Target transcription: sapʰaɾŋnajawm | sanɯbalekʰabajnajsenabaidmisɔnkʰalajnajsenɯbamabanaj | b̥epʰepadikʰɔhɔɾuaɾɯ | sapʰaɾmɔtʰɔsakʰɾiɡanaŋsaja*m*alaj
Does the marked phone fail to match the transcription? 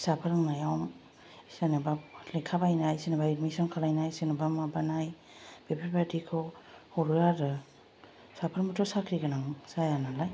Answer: yes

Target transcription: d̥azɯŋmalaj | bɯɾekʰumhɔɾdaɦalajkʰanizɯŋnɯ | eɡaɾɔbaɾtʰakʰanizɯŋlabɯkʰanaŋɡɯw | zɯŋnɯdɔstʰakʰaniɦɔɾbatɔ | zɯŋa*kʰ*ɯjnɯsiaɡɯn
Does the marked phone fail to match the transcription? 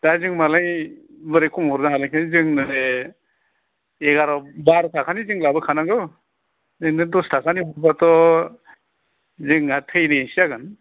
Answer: yes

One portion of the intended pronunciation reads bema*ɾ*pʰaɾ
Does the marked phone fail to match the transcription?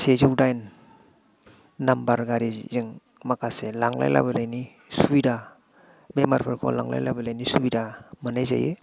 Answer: no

